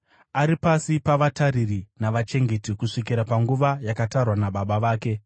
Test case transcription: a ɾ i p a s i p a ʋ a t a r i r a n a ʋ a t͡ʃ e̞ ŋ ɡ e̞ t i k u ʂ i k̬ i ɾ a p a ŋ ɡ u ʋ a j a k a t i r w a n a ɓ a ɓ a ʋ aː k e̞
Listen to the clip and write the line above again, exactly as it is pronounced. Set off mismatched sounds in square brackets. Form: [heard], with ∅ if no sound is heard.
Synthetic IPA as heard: a ɾ i p a s i p a ʋ a t a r i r [i] n a ʋ a t͡ʃ e̞ ŋ ɡ e̞ t i k u ʂ i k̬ i ɾ a p a ŋ ɡ u ʋ a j a k a t [a] r w a n a ɓ a ɓ a ʋ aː k e̞